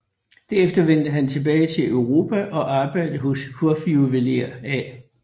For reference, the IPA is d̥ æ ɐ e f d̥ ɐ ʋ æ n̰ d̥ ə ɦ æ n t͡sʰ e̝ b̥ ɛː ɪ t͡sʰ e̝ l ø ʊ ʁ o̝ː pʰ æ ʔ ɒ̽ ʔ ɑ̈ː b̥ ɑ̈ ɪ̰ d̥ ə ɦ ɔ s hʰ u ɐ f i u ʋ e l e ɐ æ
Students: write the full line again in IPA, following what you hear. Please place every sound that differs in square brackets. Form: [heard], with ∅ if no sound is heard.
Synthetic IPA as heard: d̥ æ ɐ e f d̥ ɐ ʋ [e] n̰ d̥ ə ɦ æ n t͡sʰ e̝ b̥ ɛː ɪ t͡sʰ e̝ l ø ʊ ʁ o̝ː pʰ æ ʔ ɒ̽ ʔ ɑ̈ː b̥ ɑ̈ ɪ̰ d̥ ə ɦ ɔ s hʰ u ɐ f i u ʋ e l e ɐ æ